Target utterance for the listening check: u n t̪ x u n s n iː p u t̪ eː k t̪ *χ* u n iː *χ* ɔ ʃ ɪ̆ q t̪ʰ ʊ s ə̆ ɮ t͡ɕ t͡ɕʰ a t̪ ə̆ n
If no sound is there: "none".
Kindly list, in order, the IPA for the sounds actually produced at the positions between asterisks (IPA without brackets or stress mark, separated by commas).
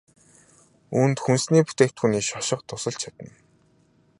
x, ʃ